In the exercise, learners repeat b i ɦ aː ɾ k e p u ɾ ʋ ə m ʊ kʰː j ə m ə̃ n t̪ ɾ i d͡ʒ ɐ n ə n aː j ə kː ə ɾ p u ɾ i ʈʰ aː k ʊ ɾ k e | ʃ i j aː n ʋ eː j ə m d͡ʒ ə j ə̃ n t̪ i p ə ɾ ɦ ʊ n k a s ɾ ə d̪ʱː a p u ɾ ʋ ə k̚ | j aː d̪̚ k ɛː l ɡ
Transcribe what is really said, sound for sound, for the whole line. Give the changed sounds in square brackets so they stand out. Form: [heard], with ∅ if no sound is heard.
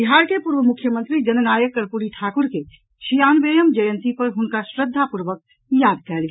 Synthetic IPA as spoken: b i ɦ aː ɾ k e p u ɾ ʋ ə m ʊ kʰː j ə m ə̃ n t̪ ɾ i d͡ʒ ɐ n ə n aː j ə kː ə ɾ p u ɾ i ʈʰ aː k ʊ ɾ k e | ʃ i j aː n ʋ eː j ə m d͡ʒ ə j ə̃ n t̪ i p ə ɾ ɦ ʊ n k a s ɾ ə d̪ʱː a p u ɾ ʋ ə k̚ | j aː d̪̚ k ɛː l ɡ

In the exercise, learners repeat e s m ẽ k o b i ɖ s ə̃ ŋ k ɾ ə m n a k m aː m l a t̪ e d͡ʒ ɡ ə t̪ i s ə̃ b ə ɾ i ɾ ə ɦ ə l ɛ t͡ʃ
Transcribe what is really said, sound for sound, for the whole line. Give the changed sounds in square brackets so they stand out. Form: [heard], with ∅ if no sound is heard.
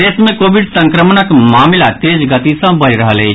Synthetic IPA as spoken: e s m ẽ k o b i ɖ s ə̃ ŋ k ɾ ə m n [ə] k m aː m l a t̪ e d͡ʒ ɡ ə t̪ i s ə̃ b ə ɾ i ɾ ə ɦ ə l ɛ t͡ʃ

